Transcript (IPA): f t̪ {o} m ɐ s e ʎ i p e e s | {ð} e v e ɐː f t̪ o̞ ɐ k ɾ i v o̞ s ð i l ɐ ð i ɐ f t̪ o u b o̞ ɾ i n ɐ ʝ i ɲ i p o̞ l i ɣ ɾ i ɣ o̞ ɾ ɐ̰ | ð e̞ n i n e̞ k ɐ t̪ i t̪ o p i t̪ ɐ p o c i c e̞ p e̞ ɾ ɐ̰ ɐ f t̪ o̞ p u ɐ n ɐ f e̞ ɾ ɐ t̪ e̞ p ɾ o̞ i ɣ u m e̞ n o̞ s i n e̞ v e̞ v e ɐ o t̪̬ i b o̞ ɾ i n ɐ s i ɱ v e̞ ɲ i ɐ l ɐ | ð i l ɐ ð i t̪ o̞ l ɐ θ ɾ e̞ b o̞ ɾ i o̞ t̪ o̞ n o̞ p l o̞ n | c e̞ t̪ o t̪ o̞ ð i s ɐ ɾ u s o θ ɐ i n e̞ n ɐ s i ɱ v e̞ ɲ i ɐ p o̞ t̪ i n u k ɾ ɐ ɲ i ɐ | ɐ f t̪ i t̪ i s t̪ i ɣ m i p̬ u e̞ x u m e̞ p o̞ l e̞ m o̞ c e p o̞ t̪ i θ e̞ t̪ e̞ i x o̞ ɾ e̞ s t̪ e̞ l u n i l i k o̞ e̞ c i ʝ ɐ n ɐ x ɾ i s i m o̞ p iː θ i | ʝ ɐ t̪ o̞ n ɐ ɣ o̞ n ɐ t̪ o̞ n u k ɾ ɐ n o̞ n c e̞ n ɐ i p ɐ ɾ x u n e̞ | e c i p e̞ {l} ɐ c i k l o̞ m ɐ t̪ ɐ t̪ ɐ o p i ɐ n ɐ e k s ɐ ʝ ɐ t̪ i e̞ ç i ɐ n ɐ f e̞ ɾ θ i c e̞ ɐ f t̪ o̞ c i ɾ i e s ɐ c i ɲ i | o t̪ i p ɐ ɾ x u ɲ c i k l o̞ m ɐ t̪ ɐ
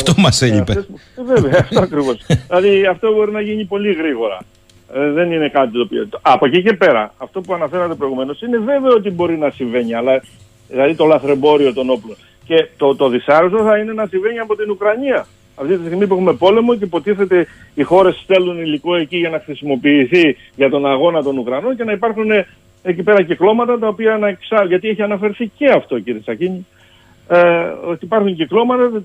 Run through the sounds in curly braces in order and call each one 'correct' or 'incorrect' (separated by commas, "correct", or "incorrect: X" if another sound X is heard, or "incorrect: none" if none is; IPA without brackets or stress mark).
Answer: correct, incorrect: v, incorrect: ɾ